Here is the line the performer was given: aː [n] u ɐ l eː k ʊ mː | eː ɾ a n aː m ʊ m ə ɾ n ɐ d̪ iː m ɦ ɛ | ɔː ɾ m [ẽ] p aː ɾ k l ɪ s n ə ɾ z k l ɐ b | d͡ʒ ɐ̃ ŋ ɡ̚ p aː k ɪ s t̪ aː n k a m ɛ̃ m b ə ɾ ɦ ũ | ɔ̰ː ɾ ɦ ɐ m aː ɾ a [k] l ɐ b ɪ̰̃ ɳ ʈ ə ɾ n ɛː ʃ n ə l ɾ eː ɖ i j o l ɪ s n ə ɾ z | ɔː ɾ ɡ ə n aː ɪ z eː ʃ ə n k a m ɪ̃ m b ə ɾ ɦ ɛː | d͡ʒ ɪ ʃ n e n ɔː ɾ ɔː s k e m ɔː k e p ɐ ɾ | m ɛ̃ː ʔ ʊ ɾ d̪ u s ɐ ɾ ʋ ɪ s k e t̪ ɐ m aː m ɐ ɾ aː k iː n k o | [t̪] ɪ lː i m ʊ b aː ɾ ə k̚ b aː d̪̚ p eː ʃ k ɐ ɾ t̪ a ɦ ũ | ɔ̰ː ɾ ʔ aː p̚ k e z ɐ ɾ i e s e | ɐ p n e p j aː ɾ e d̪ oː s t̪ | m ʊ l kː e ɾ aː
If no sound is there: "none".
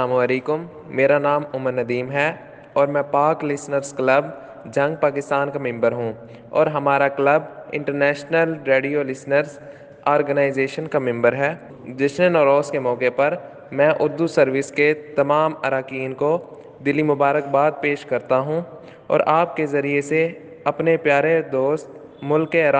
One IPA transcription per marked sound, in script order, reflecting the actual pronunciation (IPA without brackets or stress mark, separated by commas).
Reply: m, ɛ̃, k, d̪